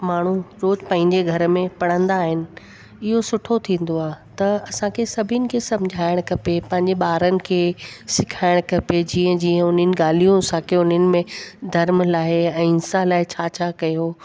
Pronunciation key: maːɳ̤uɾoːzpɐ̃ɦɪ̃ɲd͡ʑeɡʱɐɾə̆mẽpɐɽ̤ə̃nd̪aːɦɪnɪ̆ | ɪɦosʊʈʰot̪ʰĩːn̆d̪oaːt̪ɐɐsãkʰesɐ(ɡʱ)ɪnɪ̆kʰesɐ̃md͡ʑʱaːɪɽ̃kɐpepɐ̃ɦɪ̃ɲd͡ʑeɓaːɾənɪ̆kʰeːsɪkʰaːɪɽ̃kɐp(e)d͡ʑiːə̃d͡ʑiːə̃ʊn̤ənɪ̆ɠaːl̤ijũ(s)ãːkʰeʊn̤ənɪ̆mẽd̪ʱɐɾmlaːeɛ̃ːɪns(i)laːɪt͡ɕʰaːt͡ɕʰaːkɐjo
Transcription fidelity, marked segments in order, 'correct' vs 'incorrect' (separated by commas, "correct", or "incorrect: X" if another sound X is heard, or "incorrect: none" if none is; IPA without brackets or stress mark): incorrect: bʱ, correct, correct, incorrect: a